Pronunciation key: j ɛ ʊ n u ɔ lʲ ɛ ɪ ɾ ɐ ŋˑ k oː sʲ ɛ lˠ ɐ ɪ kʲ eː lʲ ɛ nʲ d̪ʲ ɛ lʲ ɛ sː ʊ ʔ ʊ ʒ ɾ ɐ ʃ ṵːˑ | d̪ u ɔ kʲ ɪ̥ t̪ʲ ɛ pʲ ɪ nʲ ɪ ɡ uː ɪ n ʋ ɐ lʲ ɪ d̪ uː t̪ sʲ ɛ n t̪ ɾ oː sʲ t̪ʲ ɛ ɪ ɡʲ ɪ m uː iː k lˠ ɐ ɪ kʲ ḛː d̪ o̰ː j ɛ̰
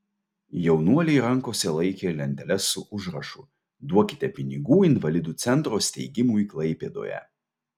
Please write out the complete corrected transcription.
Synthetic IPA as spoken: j ɛ ʊ n u ɔ lʲ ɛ ɪ ɾ ɐ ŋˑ k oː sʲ ɛ lˠ ɐ ɪ kʲ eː lʲ ɛ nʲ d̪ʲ ɛ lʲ ɛ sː ʊ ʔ ʊ ʒ ɾ ɐ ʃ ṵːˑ | d̪ u ɔ kʲ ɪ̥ t̪ʲ ɛ pʲ ɪ nʲ ɪ ɡ uː ɪ n ʋ ɐ lʲ ɪ d̪ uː t̪ sʲ ɛ n t̪ ɾ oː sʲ t̪ʲ ɛ ɪ ɡʲ ɪ m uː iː k lˠ ɐ ɪ pʲ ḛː d̪ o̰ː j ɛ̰